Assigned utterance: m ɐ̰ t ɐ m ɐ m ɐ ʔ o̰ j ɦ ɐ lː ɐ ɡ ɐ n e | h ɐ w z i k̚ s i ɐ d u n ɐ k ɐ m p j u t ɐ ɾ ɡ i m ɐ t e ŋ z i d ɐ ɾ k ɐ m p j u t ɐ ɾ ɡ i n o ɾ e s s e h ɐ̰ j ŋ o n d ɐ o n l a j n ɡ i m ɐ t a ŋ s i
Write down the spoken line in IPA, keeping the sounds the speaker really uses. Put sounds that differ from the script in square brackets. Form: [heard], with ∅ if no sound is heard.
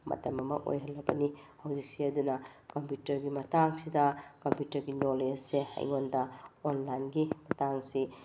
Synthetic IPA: m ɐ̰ t ɐ m ɐ m ɐ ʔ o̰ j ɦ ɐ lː ɐ [b] ɐ n [i] | h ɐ w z i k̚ s i ɐ d u n ɐ k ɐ m p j u t ɐ ɾ ɡ i m ɐ t [a] ŋ [s] i d ɐ [∅] k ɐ m p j u t ɐ ɾ ɡ i n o [l] e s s e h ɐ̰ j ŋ o n d ɐ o n l a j n ɡ i m ɐ t a ŋ s i

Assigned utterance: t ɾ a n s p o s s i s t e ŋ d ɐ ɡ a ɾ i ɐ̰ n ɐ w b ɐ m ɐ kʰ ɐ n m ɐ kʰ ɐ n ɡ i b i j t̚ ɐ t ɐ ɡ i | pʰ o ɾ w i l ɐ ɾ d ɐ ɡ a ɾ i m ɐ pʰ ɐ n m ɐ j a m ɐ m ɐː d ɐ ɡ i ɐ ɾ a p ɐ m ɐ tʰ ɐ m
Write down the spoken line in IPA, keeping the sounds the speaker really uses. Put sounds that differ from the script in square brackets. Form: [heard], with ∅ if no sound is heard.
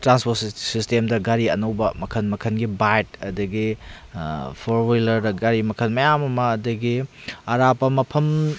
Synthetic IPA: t ɾ a n s p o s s i s t e [m] d ɐ ɡ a ɾ i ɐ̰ n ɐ w b ɐ m ɐ kʰ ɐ n m ɐ kʰ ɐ n ɡ i b [a] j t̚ ɐ [d] ɐ ɡ i | pʰ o ɾ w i l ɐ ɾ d ɐ ɡ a ɾ i m ɐ [kʰ] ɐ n m ɐ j a m ɐ m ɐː d ɐ ɡ i ɐ ɾ a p ɐ m ɐ [pʰ] ɐ m

